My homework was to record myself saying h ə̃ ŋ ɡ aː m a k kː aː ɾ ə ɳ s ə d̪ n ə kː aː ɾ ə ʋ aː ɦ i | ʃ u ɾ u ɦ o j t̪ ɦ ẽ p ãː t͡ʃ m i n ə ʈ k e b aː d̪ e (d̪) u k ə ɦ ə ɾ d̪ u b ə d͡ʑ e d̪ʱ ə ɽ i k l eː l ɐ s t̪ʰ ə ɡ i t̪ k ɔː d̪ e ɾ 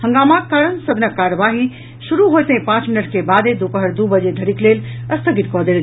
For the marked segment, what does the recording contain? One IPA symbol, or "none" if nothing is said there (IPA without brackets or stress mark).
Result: d̪